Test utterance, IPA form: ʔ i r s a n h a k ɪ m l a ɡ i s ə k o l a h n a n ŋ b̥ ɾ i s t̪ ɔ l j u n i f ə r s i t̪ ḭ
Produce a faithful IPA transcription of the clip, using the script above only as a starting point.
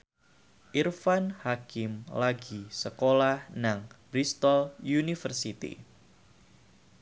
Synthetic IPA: ʔ i r f a n h a k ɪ m l a ɡ i s ə k o l a h n a ŋ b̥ ɾ i s t̪ ɔ l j u n i f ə r s i t̪ ḭ